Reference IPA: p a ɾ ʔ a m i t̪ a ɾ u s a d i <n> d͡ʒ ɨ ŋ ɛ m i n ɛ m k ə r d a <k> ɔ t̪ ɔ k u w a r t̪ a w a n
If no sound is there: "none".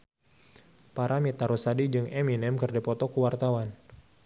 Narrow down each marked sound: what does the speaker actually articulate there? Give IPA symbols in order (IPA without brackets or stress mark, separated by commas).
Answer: none, p